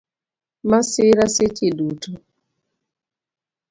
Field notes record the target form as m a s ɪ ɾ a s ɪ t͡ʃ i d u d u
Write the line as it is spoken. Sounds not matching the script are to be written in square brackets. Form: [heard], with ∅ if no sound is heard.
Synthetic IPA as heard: m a s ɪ ɾ a s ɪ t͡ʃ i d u [t] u